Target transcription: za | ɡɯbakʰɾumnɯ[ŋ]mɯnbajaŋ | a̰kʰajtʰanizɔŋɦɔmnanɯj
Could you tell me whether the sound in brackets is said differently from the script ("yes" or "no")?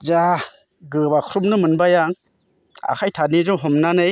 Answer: yes